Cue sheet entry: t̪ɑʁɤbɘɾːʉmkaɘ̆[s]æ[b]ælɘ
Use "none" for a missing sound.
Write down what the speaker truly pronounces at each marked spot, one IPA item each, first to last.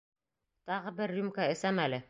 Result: s, m

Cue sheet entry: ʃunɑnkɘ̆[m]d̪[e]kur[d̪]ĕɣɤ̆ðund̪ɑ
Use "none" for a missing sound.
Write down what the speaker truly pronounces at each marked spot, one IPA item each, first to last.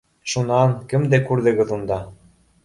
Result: m, e, d̪

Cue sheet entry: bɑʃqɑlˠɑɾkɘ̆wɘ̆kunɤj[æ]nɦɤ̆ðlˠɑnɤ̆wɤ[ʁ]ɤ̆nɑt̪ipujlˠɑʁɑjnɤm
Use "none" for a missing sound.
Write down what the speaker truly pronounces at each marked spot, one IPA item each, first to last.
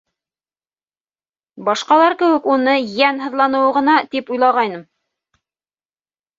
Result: æ, ʁ

